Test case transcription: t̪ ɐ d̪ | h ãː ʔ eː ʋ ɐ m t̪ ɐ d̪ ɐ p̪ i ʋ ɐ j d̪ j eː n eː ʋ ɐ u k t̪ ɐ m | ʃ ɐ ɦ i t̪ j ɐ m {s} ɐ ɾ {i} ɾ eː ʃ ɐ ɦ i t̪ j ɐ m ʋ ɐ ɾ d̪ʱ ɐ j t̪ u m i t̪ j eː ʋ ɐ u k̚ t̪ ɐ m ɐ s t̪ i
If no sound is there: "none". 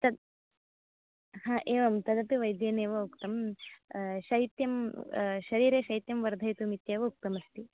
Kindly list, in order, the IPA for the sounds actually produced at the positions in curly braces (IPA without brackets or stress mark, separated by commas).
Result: ʃ, iː